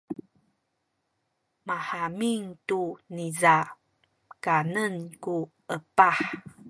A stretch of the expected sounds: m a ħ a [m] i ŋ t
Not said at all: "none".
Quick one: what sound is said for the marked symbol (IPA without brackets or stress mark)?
m